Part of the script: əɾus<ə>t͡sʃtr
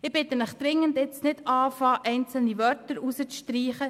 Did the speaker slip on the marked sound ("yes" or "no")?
no